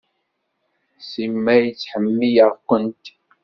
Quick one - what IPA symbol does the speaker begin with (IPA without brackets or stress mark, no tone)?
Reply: s